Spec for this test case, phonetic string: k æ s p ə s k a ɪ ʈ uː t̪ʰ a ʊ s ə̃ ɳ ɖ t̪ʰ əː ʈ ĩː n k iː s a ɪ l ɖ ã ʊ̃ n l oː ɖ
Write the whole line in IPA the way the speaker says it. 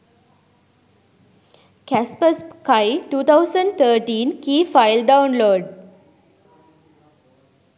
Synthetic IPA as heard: k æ s p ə s k a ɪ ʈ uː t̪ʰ a ʊ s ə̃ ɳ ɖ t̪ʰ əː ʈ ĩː n k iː f a ɪ l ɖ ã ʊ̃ n l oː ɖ